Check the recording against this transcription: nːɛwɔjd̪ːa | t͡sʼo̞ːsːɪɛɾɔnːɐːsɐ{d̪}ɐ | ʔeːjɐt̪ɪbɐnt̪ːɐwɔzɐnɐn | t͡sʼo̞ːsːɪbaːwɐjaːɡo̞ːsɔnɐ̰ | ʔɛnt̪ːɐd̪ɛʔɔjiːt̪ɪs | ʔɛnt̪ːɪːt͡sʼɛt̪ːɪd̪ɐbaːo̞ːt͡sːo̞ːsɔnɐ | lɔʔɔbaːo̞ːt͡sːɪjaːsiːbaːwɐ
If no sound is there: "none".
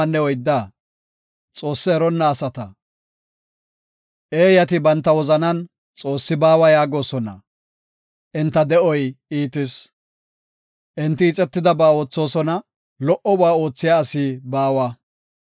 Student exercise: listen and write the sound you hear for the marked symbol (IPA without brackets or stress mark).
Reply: t̪